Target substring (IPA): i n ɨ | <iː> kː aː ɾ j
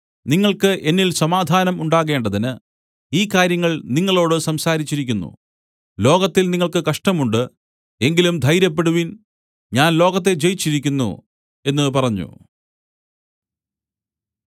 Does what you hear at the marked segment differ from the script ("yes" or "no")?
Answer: no